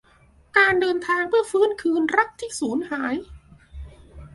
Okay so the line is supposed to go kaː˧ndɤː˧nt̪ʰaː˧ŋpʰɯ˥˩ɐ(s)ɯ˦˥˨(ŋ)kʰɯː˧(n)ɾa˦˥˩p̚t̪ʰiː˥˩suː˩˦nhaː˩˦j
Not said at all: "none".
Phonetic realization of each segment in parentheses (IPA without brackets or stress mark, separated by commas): f, n, n